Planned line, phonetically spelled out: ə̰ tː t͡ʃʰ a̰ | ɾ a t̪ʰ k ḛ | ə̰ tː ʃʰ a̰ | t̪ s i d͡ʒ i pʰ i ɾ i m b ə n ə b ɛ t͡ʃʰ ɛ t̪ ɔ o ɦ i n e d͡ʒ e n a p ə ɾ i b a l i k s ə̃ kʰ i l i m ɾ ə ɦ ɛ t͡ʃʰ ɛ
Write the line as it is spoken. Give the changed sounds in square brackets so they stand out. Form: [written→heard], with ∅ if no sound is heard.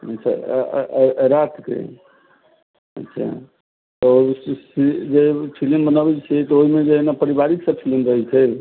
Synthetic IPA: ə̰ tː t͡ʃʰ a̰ | ɾ a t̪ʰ k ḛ | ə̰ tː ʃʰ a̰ | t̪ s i d͡ʒ [i→e] pʰ i [ɾ→l] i m b ə n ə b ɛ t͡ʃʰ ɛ t̪ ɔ o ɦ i [n→m] e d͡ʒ e n a p ə ɾ i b a [l→ɾ] i k s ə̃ [kʰ→pʰ] i l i m ɾ ə ɦ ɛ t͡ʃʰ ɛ

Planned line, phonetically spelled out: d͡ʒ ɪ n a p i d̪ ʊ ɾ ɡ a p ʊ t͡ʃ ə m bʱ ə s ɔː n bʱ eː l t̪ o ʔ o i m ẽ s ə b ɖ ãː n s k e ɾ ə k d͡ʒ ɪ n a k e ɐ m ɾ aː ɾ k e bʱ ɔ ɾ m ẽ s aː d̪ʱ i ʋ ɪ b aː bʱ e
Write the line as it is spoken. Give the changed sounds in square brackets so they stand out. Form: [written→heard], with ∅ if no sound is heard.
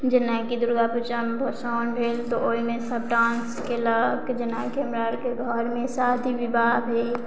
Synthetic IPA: d͡ʒ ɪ n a [p→k] i d̪ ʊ ɾ ɡ a p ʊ t͡ʃ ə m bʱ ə s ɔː n bʱ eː l t̪ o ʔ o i m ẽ s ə b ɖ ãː n s k e [ɾ→l] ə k d͡ʒ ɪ n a k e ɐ m ɾ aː ɾ k e [bʱ→ɡʱ] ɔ ɾ m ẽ s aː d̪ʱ i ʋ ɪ b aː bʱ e

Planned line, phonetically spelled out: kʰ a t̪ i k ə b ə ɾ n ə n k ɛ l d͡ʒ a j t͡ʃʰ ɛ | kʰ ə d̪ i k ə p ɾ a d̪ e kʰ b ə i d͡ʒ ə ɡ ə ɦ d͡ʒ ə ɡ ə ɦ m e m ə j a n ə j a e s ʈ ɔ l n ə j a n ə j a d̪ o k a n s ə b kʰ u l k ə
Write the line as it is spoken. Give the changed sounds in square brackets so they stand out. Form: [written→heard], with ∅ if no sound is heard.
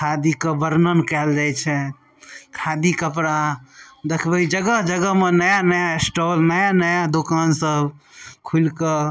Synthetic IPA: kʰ a [t̪→d̪] i k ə b ə ɾ n ə n k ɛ l d͡ʒ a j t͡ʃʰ ɛ | kʰ [ə→a] d̪ i k ə p ɾ a d̪ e kʰ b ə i d͡ʒ ə ɡ ə ɦ d͡ʒ ə ɡ ə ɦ m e [m→n] ə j a n ə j a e s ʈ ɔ l n ə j a n ə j a d̪ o k a n s ə b kʰ u l k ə

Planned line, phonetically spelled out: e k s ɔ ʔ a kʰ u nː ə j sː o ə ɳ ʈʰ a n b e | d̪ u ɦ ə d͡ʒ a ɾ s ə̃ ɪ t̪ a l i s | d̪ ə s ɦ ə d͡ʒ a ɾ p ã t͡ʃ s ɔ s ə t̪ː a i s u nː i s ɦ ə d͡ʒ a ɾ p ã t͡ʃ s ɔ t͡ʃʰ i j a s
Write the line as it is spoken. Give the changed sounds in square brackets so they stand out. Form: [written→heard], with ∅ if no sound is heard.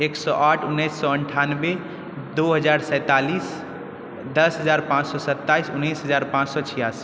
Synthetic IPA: e k s ɔ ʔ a [kʰ→ʈʰ] u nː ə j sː [o→ɔ] ə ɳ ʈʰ a n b e | d̪ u ɦ ə d͡ʒ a ɾ s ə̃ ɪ t̪ a l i s | d̪ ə s ɦ ə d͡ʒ a ɾ p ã t͡ʃ s ɔ s ə t̪ː a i s u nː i s ɦ ə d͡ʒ a ɾ p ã t͡ʃ s ɔ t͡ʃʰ i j a s

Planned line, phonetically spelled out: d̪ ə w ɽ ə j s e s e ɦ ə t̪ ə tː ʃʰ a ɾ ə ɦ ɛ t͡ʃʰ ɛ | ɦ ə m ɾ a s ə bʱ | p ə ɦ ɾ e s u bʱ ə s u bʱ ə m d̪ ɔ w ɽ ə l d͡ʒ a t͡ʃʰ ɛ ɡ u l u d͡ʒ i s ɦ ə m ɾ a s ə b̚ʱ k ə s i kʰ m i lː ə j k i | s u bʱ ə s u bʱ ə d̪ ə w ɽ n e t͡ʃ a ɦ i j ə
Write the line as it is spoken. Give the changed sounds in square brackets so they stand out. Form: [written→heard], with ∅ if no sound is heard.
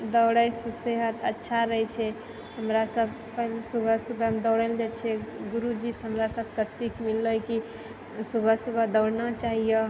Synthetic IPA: d̪ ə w ɽ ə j s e s e ɦ ə t̪ ə tː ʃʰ a ɾ ə ɦ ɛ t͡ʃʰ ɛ | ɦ ə m ɾ a s ə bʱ | p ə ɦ [ɾ→l] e s u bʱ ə s u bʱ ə m d̪ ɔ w ɽ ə l d͡ʒ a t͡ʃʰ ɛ ɡ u [l→ɾ] u d͡ʒ i s ɦ ə m ɾ a s ə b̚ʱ k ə s i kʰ m i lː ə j k i | s u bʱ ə s u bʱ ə d̪ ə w ɽ n [e→a] t͡ʃ a ɦ i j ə

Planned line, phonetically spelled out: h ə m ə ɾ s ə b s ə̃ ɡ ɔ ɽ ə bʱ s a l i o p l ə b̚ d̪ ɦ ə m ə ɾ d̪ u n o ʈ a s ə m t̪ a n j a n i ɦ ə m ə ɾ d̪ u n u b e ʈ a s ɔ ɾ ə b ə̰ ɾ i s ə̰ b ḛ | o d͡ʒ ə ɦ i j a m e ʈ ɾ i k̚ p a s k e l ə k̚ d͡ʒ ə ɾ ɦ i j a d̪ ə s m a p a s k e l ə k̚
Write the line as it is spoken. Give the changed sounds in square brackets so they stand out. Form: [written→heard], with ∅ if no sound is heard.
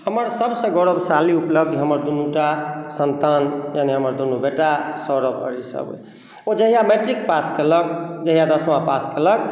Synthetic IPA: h ə m ə ɾ s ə b s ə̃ ɡ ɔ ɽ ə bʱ s a l i [o→u] p l ə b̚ d̪ ɦ ə m ə ɾ d̪ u n [o→u] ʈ a s ə [m→n] t̪ a n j a n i ɦ ə m ə ɾ d̪ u n u b e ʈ a s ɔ ɾ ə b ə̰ ɾ i s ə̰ b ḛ | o d͡ʒ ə ɦ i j a m e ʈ ɾ i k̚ p a s k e l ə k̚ d͡ʒ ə [ɾ→∅] ɦ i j a d̪ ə s m a p a s k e l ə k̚

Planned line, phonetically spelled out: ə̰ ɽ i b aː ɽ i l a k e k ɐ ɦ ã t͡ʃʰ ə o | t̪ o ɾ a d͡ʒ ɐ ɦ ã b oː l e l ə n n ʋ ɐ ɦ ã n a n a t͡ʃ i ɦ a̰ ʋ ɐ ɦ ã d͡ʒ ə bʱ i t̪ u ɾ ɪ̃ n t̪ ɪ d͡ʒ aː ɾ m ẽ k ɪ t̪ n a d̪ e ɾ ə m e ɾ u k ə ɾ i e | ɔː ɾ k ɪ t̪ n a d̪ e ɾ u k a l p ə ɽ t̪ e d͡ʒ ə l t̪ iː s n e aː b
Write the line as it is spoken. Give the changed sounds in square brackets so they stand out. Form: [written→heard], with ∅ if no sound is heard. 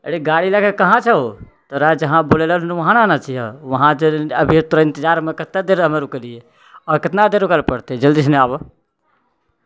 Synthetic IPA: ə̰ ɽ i [b→ɡ] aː ɽ i l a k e k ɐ ɦ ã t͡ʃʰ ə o | t̪ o ɾ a d͡ʒ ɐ ɦ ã b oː l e l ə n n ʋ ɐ ɦ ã n a n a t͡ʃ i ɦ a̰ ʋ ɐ ɦ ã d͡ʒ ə bʱ i t̪ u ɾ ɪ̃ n t̪ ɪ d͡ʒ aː ɾ m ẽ k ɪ t̪ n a d̪ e ɾ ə m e ɾ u k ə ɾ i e | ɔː ɾ k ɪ t̪ n a d̪ e ɾ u k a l p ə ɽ t̪ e d͡ʒ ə l [t̪→d̪] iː s n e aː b

